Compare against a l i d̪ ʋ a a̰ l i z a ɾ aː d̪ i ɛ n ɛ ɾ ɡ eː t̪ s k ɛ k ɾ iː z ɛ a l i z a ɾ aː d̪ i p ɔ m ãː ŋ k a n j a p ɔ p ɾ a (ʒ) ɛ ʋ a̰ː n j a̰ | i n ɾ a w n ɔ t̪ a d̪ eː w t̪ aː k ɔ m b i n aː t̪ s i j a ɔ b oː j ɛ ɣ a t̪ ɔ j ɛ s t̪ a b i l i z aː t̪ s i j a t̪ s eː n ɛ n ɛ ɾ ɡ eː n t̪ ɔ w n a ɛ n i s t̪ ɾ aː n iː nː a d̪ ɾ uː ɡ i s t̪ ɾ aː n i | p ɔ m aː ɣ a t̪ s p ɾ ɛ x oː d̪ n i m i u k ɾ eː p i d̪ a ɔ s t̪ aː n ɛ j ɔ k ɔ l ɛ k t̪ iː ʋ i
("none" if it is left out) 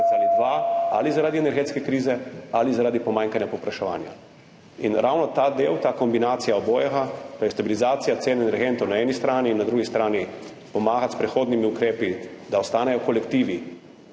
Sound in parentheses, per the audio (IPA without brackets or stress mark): ʃ